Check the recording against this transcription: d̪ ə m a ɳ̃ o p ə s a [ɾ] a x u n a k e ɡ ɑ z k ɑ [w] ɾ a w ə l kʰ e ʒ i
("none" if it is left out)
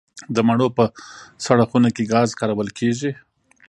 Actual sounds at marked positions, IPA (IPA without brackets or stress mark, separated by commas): ɽ, none